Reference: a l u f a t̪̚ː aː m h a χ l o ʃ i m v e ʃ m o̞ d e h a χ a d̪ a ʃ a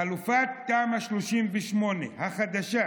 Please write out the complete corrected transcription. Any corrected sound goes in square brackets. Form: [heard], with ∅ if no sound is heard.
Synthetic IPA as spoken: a l u f a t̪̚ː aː m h a [ʃ] l o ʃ i m v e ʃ m o̞ [n] e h a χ a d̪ a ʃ a